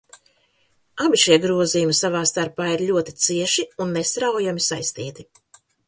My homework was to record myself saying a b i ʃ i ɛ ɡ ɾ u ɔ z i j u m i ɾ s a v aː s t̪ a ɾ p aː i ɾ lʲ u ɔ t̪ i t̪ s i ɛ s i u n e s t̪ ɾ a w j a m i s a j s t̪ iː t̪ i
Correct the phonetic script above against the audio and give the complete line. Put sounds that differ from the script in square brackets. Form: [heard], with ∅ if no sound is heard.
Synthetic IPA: a b i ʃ i ɛ ɡ ɾ u ɔ z i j u m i [∅] s a v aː s t̪ a ɾ p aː i ɾ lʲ u ɔ t̪ i t̪ s i ɛ [ʃ] i u [nː] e s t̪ ɾ a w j a m i s a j s t̪ iː t̪ i